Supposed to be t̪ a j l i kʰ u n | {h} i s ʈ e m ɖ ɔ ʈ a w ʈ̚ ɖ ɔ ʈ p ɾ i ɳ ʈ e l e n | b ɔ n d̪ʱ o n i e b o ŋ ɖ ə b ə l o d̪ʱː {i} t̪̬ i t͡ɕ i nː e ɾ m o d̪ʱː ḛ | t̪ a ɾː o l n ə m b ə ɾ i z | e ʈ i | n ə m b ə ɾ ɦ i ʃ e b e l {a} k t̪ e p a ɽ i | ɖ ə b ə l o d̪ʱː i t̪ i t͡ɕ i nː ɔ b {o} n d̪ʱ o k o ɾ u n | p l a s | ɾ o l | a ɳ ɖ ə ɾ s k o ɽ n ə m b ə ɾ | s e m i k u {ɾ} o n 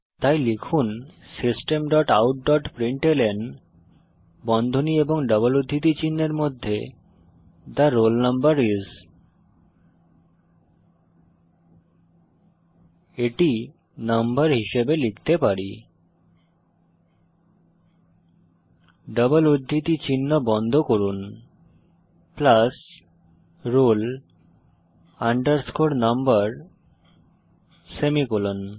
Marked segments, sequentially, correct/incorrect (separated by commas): incorrect, correct, incorrect, incorrect, incorrect